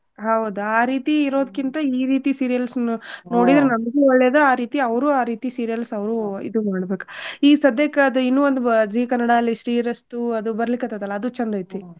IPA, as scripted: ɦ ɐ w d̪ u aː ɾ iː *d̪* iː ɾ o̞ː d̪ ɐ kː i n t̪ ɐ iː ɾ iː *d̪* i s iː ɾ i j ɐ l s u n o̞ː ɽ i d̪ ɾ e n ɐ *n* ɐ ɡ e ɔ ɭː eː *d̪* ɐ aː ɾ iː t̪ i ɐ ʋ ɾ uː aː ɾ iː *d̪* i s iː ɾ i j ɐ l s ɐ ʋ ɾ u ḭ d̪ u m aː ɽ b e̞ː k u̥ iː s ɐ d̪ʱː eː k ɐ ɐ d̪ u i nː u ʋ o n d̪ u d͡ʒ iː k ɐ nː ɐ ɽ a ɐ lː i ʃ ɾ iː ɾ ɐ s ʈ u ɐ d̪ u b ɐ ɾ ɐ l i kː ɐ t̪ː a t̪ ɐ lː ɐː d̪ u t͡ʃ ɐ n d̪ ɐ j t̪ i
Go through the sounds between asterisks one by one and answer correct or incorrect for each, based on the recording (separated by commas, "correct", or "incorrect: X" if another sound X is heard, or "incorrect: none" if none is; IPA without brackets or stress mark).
incorrect: t̪, incorrect: t̪, incorrect: m, correct, incorrect: t̪